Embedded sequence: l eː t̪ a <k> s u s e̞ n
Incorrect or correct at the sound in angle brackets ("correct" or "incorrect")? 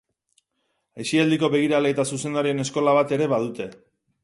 incorrect